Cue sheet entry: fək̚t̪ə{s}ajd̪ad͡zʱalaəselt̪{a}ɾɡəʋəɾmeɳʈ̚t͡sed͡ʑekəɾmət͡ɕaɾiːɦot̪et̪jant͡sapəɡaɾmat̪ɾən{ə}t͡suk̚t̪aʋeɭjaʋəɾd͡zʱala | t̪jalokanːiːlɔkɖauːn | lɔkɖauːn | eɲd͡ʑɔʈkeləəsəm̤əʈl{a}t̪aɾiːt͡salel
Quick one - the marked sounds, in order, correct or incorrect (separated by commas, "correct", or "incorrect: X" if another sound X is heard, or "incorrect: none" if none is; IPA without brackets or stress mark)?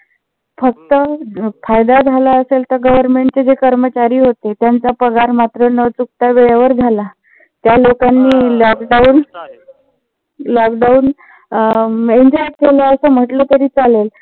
incorrect: f, incorrect: ə, correct, incorrect: ə